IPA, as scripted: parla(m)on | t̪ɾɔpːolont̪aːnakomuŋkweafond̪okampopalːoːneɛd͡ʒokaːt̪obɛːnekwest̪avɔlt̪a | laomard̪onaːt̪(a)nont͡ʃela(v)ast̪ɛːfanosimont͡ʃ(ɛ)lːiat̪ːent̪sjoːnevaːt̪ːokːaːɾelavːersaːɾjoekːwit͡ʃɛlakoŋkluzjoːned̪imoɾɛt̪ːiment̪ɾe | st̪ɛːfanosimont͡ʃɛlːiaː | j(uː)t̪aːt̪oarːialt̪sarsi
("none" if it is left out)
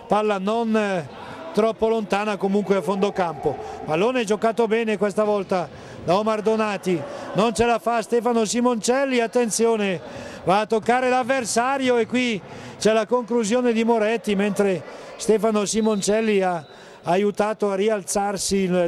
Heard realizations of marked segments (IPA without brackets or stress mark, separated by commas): n, i, f, ɛ, u